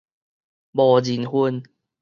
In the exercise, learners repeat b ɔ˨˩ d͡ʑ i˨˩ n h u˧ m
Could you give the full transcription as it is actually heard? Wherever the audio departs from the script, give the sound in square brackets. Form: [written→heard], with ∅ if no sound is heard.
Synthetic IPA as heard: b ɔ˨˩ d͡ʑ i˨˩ n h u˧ [m→n]